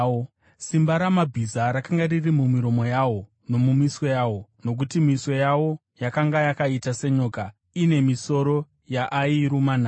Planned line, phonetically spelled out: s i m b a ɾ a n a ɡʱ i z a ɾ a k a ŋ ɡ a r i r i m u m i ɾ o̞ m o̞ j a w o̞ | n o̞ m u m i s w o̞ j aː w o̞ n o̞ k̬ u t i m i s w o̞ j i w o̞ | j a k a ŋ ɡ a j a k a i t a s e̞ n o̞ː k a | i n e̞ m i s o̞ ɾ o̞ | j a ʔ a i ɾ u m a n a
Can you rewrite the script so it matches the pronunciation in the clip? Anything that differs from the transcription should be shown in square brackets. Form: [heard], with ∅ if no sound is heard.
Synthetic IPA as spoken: s i m b a ɾ a [m] a [bʱ] i z a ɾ a k a ŋ ɡ a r i r i m u m i ɾ o̞ m o̞ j a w o̞ | n o̞ m u m i s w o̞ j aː w o̞ n o̞ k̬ u t i m i s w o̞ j [a] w o̞ | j a k a ŋ ɡ a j a k a i t a s e̞ [ɲ] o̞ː k a | i n e̞ m i s o̞ ɾ o̞ | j a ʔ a i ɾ u m a n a